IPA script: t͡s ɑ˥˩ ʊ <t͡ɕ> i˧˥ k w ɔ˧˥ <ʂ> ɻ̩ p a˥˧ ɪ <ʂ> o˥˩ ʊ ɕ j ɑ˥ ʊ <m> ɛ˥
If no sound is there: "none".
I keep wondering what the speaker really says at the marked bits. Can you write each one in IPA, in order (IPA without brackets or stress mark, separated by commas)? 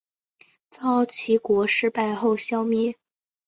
t͡ɕʰ, ʂ, x, m